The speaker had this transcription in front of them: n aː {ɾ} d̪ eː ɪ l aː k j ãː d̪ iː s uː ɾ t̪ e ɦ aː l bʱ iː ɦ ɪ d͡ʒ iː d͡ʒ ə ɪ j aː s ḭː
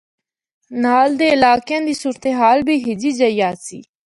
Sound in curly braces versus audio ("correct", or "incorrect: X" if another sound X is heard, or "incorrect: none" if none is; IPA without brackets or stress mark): incorrect: l